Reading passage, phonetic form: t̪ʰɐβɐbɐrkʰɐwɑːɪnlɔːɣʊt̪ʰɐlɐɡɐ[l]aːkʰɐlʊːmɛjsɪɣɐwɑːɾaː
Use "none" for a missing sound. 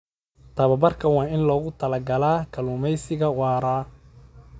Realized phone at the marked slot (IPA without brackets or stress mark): l